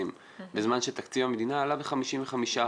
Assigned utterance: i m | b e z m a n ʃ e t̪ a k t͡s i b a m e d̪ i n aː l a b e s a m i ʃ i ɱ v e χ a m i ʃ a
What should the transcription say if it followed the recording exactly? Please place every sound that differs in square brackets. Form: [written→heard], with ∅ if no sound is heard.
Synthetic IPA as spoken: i m | b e z m a n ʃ e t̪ a k t͡s i [b→v] a m e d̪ i n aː l a b e [s→χ] a m i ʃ i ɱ v e χ a m i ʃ a

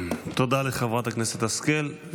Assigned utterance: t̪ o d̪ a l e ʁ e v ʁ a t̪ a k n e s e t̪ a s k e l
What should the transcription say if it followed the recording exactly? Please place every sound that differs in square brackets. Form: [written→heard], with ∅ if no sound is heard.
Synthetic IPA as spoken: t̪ o d̪ a l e [ʁ→χ] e v ʁ a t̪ a k n e s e t̪ a s k e l

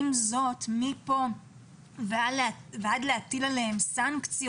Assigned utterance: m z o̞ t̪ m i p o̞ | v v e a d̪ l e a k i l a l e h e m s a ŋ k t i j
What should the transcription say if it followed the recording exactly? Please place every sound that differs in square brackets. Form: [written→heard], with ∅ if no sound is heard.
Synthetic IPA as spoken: m z o̞ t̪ m i p o̞ | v v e a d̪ l e a [k→t] i l a l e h e m s a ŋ k [t→t͡s] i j

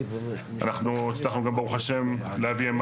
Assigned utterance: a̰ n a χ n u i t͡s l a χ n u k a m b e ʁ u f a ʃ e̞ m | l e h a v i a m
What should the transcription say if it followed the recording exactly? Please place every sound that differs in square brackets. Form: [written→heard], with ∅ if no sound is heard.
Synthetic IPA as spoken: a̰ n a χ n u i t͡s l a χ n u [k→ɡ] a m b e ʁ u [f→χ] a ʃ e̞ m | l e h a v i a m

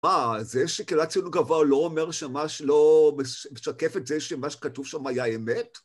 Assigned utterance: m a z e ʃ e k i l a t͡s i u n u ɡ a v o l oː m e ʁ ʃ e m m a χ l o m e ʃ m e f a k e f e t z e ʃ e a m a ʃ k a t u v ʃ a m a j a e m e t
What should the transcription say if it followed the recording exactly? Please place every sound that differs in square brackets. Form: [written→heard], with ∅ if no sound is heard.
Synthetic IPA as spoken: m a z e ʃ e k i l a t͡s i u n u ɡ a v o l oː m e ʁ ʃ e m m a [χ→ʃ] l o m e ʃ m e [f→ʃ] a k e f e t z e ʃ e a m a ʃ k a t u v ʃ a m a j a e m e t

